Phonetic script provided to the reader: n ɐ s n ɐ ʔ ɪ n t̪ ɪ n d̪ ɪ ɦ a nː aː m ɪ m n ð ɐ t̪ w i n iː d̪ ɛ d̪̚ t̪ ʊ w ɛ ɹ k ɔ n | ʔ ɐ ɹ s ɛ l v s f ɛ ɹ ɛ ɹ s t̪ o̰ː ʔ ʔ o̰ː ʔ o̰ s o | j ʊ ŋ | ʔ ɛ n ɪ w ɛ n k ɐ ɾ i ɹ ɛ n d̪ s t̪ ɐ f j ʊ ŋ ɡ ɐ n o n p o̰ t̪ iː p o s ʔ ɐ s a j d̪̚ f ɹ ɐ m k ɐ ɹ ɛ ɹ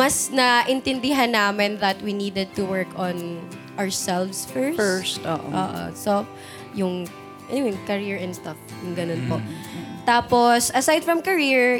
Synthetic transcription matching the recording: m ɐ s n ɐ ʔ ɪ n t̪ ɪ n d̪ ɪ ɦ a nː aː m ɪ n ð ɐ t̪ w i n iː d̪ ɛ d̪̚ t̪ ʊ w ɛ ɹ k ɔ n | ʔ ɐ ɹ s ɛ l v s f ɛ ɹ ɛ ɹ s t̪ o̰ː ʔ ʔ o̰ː ʔ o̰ s o | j ʊ ŋ | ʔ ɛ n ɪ w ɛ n k ɐ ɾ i ɹ ɛ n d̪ s t̪ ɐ f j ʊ ŋ ɡ ɐ n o n p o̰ t̪ aː p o s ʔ ɐ s a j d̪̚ f ɹ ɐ m k ɐ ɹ i ɹ